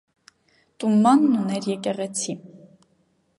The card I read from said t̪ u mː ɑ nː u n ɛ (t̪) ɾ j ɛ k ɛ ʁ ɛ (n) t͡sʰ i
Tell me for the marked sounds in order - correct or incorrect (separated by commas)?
incorrect, incorrect